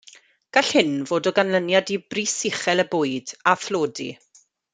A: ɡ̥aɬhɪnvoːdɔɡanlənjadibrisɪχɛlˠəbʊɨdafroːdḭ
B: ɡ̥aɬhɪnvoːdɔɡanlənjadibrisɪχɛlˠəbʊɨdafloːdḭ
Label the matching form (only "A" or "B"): B